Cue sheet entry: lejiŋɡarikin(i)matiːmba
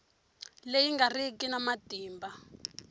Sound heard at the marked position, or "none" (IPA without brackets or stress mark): a